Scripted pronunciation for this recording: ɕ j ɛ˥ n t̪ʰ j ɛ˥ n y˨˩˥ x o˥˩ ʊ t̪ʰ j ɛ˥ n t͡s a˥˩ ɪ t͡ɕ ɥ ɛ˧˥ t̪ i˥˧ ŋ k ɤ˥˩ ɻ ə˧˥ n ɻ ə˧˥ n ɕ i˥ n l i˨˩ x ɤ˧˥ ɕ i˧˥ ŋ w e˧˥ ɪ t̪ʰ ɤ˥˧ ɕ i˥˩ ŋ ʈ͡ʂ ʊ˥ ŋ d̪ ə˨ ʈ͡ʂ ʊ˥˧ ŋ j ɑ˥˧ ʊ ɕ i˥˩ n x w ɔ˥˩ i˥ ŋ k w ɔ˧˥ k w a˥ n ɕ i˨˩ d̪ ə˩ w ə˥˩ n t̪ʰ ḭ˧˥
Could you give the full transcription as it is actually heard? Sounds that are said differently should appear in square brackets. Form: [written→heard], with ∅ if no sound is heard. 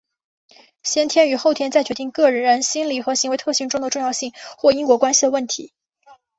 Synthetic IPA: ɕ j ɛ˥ n t̪ʰ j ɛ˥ n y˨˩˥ x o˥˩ ʊ t̪ʰ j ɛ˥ n t͡s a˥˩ ɪ t͡ɕ ɥ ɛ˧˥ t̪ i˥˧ ŋ k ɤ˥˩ ɻ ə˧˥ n ɻ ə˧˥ n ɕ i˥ n l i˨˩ x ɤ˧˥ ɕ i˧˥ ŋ w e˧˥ ɪ t̪ʰ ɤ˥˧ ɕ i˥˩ ŋ ʈ͡ʂ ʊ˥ ŋ d̪ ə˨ ʈ͡ʂ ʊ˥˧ ŋ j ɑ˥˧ ʊ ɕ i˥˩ [n→ŋ] x w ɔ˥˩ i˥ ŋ k w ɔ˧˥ k w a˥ n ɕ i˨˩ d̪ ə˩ w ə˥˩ n t̪ʰ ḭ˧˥